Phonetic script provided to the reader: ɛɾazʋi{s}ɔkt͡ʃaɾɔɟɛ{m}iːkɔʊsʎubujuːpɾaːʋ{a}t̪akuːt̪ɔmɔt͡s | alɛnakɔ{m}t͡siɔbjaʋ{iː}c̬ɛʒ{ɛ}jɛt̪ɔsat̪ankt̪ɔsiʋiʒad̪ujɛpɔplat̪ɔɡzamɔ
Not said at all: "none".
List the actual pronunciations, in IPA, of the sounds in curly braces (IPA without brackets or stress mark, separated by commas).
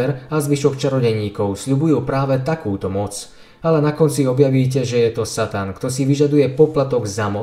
ʃ, ɲ, ɛ, n, iː, ɛ